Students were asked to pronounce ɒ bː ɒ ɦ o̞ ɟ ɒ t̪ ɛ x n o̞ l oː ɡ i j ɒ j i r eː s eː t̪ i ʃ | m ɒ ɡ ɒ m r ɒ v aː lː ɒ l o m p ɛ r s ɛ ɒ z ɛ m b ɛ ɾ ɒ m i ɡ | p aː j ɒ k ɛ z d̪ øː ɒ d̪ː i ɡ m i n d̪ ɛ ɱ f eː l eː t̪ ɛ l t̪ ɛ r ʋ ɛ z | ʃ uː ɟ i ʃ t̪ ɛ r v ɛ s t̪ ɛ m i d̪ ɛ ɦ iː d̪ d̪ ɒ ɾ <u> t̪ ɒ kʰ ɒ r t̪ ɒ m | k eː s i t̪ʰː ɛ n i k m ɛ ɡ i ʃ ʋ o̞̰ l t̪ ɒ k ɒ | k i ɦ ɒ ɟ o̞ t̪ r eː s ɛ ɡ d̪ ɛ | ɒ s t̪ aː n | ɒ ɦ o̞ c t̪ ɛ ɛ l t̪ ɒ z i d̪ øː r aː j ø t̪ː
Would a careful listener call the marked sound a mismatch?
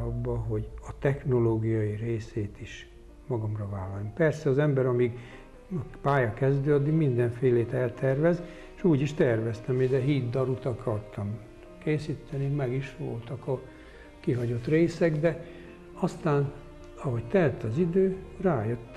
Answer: no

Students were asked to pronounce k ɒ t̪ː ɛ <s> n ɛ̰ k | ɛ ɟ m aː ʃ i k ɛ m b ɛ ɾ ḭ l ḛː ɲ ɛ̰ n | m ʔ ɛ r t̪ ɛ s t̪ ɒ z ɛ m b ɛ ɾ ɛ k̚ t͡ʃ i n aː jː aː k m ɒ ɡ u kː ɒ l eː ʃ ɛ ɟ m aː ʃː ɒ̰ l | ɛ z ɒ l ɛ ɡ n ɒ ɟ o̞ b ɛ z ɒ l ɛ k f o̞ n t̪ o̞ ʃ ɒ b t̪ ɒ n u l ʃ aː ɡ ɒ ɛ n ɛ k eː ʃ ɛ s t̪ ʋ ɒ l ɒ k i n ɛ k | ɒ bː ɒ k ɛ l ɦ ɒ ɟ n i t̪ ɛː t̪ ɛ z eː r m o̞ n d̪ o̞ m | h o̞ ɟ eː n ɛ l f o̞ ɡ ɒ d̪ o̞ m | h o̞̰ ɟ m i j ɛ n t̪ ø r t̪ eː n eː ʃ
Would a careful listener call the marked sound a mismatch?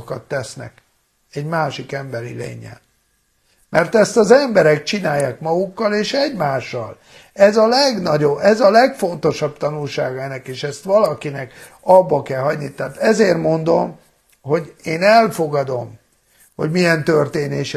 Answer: no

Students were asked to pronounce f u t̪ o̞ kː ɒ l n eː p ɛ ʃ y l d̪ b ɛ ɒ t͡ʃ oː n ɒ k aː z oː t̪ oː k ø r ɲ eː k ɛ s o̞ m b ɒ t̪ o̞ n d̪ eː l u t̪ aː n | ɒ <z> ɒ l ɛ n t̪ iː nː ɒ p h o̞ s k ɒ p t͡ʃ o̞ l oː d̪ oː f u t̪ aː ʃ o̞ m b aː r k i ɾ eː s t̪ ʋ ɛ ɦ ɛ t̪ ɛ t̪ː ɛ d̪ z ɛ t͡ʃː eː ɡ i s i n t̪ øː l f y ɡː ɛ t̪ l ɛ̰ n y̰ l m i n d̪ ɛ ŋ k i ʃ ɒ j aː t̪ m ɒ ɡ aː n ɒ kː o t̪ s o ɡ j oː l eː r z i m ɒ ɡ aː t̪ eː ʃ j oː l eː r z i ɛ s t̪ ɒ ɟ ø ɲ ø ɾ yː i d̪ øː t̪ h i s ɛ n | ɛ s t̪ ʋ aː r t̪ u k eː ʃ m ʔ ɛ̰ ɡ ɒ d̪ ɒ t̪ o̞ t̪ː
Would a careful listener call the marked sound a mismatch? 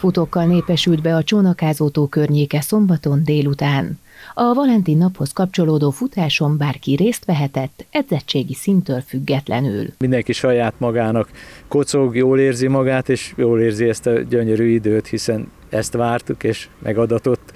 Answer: yes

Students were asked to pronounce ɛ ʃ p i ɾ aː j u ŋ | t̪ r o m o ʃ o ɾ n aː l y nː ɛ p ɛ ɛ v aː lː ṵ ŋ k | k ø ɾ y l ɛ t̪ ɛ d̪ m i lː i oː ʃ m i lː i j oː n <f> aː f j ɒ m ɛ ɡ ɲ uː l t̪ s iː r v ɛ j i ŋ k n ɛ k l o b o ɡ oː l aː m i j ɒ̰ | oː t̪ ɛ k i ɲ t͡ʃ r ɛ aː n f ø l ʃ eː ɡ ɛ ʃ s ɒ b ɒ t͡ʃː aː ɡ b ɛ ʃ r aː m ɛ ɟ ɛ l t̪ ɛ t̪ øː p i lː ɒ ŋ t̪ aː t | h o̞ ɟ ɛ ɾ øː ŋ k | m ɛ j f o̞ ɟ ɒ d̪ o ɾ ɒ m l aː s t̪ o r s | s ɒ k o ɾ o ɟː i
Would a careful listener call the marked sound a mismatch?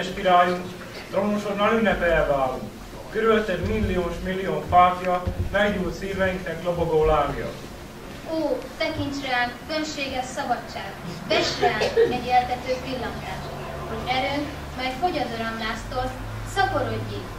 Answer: no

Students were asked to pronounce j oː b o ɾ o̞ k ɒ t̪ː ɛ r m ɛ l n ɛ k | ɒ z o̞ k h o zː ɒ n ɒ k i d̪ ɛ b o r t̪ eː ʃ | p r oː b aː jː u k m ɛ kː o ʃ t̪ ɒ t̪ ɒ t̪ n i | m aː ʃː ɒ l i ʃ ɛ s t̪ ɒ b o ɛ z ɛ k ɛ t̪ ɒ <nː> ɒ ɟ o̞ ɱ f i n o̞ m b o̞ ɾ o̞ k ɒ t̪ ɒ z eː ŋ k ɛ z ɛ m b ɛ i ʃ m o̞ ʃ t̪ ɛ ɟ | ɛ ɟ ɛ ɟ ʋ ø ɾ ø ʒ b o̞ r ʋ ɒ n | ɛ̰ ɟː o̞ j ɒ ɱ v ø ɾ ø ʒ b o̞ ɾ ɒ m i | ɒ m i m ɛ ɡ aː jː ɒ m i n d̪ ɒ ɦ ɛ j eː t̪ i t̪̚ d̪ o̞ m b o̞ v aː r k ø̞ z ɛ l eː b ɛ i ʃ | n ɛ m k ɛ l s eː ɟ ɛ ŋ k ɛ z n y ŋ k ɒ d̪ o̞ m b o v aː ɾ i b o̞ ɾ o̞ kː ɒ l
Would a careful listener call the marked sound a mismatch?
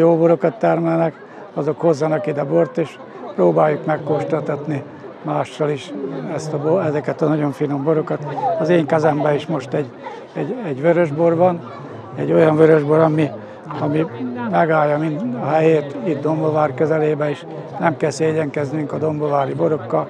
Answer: yes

